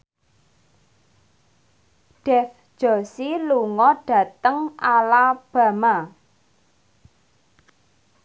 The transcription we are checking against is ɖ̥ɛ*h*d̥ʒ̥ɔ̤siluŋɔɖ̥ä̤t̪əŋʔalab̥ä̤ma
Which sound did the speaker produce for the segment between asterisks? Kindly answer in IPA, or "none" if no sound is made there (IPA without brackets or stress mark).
f